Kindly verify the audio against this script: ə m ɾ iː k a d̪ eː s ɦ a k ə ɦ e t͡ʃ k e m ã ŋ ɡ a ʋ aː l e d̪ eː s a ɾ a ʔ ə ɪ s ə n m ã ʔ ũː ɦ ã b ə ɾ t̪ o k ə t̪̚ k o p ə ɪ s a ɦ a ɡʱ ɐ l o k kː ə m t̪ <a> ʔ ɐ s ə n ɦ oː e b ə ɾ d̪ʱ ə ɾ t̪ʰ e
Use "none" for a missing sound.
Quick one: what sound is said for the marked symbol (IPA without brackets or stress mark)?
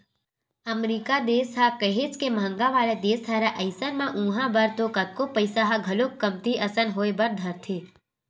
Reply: i